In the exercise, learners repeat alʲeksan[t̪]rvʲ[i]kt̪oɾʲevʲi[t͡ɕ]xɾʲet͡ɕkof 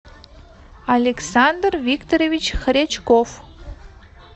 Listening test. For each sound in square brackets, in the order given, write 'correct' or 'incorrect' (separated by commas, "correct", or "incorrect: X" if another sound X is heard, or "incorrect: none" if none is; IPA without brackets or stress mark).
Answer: incorrect: d̪, correct, correct